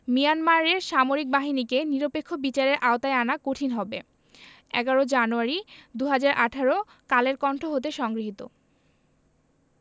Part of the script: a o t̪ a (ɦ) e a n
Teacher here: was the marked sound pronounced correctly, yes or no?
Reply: no